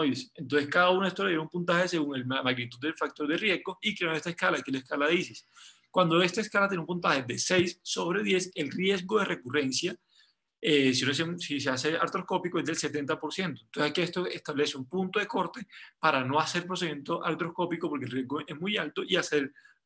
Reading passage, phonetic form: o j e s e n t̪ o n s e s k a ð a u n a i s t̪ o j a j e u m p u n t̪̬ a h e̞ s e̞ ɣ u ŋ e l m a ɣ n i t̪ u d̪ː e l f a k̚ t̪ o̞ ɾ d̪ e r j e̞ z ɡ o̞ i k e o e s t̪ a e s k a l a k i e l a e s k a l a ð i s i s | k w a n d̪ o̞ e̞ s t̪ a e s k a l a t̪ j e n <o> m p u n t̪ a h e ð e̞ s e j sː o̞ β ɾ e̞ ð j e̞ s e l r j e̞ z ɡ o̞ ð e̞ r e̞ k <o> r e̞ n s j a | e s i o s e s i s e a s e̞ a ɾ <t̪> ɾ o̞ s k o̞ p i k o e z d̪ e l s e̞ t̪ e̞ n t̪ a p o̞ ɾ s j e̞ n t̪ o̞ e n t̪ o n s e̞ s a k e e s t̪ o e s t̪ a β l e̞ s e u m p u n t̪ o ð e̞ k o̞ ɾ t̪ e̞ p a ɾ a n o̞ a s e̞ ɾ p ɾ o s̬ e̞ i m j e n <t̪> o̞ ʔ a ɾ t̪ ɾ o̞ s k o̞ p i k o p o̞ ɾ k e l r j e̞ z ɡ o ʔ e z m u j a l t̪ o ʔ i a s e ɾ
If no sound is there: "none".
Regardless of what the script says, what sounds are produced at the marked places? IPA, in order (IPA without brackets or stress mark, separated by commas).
u, u, t̪, t̪